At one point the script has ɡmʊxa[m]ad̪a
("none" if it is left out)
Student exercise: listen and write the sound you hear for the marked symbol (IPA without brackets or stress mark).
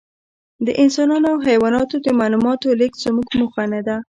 n